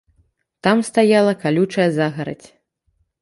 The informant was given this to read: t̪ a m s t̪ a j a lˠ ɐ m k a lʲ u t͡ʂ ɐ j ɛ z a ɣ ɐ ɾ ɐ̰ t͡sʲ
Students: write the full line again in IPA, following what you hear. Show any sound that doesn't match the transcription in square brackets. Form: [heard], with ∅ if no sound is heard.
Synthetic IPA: t̪ a m s t̪ a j a lˠ ɐ [∅] k a lʲ u t͡ʂ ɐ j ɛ z a ɣ ɐ ɾ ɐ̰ t͡sʲ